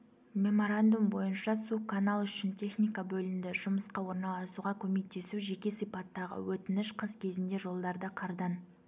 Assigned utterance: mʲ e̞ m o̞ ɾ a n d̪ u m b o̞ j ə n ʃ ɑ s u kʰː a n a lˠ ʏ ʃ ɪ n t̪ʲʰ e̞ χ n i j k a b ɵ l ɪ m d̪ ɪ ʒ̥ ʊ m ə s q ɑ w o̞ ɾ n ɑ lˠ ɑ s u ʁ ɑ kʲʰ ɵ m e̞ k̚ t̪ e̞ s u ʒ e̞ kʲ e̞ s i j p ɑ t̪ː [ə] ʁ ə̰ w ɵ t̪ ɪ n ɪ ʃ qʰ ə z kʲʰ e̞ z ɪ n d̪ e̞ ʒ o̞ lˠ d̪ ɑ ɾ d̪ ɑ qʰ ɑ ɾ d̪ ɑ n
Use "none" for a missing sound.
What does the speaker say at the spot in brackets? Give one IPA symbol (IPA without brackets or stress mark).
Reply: ɑ